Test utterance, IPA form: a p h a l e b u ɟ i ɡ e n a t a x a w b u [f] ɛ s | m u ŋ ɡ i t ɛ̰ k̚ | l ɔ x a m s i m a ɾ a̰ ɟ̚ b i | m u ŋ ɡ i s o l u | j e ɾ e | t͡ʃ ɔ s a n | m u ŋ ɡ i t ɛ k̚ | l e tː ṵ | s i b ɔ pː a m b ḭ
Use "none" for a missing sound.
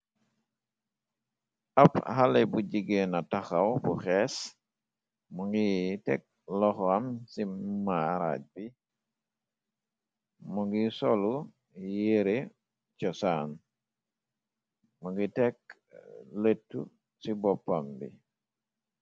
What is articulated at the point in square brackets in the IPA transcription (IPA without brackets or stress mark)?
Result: x